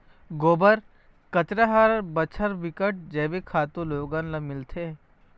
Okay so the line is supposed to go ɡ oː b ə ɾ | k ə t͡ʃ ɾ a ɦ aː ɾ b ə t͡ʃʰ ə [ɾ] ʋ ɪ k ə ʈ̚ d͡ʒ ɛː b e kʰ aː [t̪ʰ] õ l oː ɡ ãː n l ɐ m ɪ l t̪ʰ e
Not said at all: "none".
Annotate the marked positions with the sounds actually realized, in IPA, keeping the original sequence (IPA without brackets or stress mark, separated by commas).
ɾ, t̪